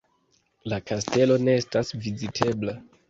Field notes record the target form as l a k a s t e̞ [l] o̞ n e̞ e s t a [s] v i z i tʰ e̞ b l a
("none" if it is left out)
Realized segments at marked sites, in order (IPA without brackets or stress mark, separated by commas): l, s